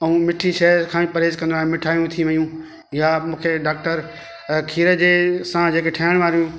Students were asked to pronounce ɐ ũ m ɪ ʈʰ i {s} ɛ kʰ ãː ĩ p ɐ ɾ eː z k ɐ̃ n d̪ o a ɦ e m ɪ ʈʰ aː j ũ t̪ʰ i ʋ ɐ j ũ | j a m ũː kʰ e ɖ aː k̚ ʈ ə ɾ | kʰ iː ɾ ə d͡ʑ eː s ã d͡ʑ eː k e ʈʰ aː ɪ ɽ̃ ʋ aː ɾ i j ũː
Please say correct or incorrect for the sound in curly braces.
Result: incorrect